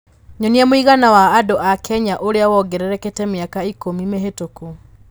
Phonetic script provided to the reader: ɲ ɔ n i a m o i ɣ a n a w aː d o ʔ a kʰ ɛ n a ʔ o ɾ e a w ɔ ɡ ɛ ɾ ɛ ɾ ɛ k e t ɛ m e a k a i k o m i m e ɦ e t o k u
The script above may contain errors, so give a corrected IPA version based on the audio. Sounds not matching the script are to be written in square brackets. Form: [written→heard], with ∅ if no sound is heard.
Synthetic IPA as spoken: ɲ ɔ n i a m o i ɣ a n a w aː d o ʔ a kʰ ɛ [n→ɲ] a ʔ o ɾ e a w ɔ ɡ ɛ ɾ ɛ ɾ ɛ k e t ɛ m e a k a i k o m i m e ɦ e t o k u